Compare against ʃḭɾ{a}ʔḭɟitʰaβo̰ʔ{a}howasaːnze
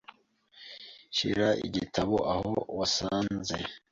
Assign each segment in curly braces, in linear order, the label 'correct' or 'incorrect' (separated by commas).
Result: correct, correct